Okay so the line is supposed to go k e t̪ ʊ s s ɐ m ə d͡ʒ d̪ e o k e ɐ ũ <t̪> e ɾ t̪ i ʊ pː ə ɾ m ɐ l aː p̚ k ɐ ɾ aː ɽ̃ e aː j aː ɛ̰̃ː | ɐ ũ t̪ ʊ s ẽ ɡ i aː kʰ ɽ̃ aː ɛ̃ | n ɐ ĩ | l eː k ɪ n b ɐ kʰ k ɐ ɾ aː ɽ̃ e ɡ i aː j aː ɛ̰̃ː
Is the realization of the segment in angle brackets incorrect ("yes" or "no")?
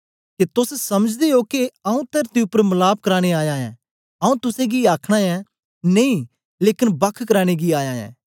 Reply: no